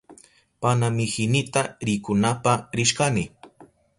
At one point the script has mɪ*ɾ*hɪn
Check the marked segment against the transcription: incorrect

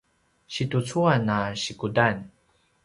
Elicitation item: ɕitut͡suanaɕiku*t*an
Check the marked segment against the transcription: incorrect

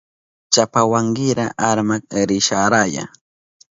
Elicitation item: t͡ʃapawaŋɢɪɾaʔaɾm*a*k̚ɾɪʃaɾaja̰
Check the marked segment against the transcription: correct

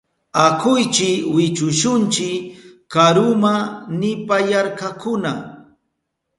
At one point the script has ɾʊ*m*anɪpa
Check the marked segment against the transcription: correct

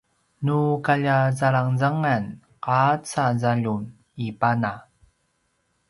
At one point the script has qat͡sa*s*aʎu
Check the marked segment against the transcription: incorrect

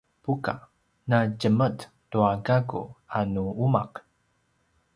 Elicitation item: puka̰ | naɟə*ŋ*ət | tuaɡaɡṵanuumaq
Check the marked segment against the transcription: incorrect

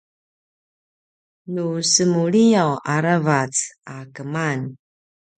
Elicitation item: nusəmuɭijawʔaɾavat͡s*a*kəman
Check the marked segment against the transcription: correct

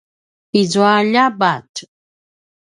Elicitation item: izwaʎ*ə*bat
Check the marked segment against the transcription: incorrect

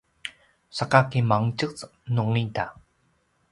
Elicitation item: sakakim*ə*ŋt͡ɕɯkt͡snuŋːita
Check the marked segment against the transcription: incorrect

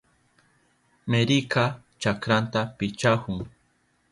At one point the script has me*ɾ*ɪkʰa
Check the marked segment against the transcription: correct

